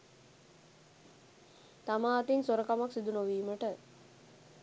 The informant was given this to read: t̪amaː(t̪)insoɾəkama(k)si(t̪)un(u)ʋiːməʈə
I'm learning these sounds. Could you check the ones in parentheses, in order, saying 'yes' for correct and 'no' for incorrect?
yes, yes, no, no

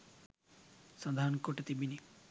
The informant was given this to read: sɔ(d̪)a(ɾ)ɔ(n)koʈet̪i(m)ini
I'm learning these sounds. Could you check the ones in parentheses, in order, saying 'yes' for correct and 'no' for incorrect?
yes, yes, yes, no

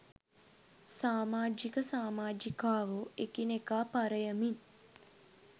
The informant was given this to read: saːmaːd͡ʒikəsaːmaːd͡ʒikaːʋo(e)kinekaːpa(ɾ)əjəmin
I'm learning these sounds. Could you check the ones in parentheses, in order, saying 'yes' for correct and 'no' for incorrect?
yes, yes

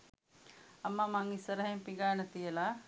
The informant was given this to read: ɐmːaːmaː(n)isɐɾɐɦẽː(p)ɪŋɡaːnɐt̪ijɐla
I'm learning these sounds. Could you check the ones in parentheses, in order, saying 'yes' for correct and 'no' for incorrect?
no, yes

